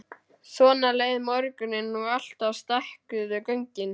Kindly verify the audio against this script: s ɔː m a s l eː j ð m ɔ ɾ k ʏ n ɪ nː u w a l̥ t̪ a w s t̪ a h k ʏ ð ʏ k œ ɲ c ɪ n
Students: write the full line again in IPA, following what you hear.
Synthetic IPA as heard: s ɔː n a l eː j ð m ɔ ɾ k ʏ n ɪ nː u ɣ a l̥ t̪ a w s t̪ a h k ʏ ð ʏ k œ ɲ c ɪ n

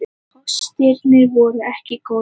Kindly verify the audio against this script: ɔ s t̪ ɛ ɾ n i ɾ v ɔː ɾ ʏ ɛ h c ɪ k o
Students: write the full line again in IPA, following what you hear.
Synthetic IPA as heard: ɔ s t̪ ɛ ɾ n ɪ ɾ v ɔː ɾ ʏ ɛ h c ɪ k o

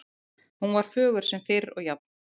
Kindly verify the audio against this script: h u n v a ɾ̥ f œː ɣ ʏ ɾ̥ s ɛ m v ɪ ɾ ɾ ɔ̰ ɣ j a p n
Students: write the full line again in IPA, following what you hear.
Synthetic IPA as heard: h u n v a ɾ̥ f œː ɣ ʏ ɾ̥ s ɛ m f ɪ ɾ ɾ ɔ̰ ɣ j a p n

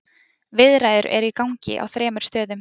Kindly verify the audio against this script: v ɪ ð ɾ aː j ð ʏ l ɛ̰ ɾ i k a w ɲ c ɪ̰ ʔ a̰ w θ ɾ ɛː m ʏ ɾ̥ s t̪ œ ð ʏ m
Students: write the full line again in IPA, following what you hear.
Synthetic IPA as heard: v ɪ ð ɾ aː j ð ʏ ɾ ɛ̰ ɾ i k a w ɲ c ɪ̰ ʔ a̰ w θ ɾ ɛː m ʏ ɾ̥ s t̪ œː ð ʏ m

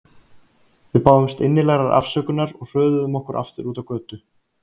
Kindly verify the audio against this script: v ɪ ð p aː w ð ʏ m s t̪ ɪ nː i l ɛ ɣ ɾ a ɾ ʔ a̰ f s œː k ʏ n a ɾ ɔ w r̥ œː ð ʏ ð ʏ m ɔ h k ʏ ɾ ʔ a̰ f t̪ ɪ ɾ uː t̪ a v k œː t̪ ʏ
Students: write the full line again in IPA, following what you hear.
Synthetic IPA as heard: v ɪ ð p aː w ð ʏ m s t̪ ɪ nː ɪ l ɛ ɣ ɾ a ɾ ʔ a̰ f s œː k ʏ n a ɾ ɔ ɣ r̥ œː ð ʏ ð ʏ m ɔ h k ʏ ɾ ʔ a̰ f t̪ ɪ ɾ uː t̪ a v k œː t̪ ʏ

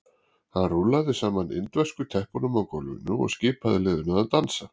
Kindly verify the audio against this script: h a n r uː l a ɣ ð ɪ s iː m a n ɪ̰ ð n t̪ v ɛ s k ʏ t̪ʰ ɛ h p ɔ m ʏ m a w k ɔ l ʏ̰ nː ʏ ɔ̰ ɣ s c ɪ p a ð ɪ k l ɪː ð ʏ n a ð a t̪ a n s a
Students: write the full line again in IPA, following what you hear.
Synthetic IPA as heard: h a n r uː l a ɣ ð ɪ s aː m a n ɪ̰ n t̪ v ɛ s k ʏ t̪ʰ ɛ h p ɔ n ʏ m a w k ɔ l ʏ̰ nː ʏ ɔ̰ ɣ s c ɪː p a ð ɪ l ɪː ð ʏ n a ð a t̪ a n s a

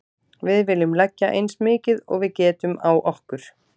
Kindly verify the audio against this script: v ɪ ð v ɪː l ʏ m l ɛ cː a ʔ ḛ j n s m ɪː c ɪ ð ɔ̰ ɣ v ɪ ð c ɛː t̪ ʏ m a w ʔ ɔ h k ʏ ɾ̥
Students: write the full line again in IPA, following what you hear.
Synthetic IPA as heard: v ɪ ð v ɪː l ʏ m l ɛ cː a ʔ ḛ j n s m ɪː c ɪ ð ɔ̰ ɣ v ɪ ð c ɛː t̪ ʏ m a w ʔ ɔ h k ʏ ɾ̥

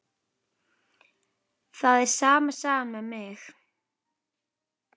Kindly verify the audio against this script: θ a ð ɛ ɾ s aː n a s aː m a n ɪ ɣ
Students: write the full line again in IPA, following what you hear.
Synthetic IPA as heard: θ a ð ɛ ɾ s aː m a s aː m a m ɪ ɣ

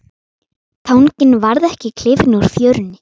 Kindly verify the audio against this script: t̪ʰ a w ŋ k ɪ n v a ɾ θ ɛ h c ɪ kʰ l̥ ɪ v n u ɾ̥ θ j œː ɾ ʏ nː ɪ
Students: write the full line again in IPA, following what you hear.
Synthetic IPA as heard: t̪ʰ a w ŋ c ɪ n v a ɾ ð ɛ h c ɪ kʰ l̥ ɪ v n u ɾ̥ θ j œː ɾ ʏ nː ɪ

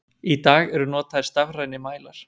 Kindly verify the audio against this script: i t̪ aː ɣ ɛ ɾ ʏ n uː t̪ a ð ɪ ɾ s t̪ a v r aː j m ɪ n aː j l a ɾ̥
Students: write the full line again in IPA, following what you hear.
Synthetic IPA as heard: i t̪ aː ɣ ɛ ɾ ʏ n ɔː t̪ a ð ɪ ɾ s t̪ a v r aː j n ɪ m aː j l a ɾ̥

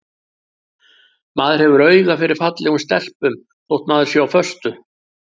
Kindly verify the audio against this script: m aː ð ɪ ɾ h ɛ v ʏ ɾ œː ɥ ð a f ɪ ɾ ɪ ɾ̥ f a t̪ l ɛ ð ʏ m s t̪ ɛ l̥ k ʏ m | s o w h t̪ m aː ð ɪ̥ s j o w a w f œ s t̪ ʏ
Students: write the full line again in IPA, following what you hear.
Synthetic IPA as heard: m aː ð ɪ ɾ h ɛ v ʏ ɾ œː ɥ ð a f ɪ ɾ ɪ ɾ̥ f a t̪ l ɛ ɣ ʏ m s t̪ ɛ l̥ p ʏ m | θ o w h t̪ m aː ð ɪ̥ s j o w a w f œ s t̪ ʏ

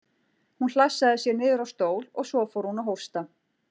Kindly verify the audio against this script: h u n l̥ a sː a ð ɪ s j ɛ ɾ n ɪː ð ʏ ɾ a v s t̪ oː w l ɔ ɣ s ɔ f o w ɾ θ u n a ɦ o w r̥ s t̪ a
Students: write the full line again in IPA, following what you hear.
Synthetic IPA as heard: h u n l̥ a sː a ð ɪ s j ɛ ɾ n ɪː ð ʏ ɾ a w s t̪ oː w l ɔ ɣ s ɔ f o w ɾ h u n a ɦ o w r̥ s t̪ a

